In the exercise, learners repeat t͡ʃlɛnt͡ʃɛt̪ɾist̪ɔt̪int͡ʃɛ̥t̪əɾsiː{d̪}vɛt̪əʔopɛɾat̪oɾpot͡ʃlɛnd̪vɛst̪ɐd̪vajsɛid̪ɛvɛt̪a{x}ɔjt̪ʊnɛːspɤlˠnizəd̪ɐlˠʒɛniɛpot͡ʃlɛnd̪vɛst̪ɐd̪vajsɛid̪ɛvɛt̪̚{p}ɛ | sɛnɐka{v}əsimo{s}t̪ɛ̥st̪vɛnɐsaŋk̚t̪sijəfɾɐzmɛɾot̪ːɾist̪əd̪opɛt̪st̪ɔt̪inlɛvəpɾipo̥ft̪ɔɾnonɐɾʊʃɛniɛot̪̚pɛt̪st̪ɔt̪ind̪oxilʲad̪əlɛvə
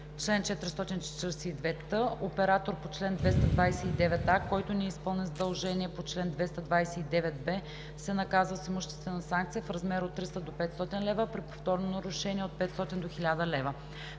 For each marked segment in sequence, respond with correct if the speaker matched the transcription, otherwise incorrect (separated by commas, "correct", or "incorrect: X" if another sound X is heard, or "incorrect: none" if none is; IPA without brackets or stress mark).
correct, incorrect: k, incorrect: b, incorrect: z, incorrect: ʃ